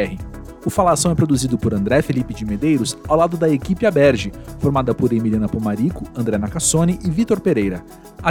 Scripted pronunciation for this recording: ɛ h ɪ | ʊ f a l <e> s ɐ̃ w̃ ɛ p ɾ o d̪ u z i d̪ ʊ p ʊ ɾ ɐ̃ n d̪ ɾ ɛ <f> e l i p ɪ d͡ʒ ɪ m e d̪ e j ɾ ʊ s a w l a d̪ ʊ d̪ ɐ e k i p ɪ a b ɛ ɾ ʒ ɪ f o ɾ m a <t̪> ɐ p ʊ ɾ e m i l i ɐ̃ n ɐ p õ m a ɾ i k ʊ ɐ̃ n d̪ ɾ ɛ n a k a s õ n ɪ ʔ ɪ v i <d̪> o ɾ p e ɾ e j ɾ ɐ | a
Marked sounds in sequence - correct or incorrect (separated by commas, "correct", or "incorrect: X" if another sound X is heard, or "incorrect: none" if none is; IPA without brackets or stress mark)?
incorrect: a, correct, incorrect: d̪, incorrect: t̪